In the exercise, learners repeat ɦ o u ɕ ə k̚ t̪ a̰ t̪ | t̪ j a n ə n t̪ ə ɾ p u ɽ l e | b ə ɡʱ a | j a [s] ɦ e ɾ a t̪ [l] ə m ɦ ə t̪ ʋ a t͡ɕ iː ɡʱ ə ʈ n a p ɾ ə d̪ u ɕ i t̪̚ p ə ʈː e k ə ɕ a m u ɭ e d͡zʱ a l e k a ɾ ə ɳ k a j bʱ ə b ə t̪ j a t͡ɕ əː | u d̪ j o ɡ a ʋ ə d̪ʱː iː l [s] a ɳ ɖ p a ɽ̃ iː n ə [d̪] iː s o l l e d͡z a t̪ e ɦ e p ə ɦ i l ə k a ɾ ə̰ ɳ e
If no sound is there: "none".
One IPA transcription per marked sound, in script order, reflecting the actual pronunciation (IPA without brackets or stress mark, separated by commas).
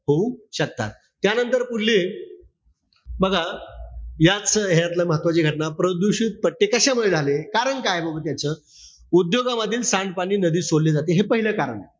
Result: t͡s, l, s, d̪